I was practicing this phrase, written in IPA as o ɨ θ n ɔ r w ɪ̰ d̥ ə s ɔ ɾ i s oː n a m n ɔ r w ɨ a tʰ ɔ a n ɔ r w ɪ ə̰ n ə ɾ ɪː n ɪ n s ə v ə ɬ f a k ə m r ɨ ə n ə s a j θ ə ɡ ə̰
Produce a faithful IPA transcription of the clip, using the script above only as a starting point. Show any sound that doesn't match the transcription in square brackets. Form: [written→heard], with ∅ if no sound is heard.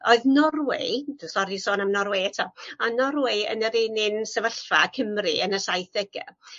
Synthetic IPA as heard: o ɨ [θ→ð] n ɔ r w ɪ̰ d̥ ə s ɔ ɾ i s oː n a m n ɔ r w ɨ [a→ɛ] tʰ ɔ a n ɔ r w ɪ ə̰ n ə ɾ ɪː n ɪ n s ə v ə ɬ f a [k→kʰ] ə m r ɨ ə n ə s a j θ ə ɡ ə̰